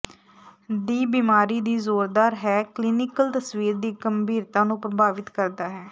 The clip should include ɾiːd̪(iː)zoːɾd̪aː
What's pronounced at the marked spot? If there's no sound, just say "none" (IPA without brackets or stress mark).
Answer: iː